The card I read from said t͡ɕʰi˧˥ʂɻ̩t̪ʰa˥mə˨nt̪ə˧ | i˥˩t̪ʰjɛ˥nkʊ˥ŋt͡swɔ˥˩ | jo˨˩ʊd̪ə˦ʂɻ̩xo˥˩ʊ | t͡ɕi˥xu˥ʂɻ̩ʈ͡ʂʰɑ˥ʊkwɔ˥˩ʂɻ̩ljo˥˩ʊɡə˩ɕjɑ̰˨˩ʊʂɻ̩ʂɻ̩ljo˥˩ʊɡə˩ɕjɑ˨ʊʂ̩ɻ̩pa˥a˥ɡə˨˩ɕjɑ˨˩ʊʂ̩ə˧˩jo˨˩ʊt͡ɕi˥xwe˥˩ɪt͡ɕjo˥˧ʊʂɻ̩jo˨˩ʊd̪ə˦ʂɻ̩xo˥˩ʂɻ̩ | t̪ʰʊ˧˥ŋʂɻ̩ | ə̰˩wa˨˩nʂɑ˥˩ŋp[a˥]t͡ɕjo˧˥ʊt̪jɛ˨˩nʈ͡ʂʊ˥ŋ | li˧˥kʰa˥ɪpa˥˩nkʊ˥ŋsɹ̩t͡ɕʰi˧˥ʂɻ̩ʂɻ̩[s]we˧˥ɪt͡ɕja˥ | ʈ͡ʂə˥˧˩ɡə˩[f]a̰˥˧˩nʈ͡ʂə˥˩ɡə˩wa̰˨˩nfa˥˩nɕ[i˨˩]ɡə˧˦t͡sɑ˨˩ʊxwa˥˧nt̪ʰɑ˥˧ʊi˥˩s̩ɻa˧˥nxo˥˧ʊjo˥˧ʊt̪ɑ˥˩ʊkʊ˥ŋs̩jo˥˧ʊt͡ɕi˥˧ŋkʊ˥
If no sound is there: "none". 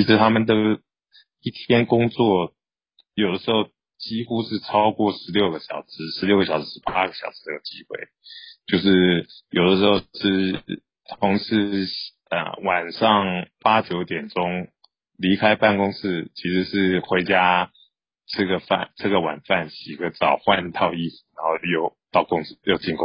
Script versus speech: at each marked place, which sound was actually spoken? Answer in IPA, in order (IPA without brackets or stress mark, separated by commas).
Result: a˥, x, f, i˨˩